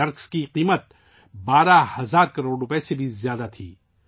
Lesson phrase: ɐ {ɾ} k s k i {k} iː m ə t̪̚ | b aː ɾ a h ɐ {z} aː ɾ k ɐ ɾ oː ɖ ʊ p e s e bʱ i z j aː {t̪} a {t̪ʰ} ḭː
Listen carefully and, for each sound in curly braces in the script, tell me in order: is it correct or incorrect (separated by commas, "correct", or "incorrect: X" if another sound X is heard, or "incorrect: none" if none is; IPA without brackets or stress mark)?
correct, incorrect: q, correct, incorrect: d̪, correct